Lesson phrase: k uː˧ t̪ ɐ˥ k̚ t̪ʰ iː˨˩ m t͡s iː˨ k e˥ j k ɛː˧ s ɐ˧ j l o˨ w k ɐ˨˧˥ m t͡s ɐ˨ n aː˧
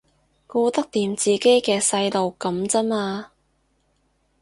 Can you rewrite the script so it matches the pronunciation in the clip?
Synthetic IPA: k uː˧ t̪ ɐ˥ k̚ t̪ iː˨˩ m t͡s iː˨ k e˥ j k ɛː˧ s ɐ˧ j l o˨ w k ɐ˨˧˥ m t͡s ɐ˥ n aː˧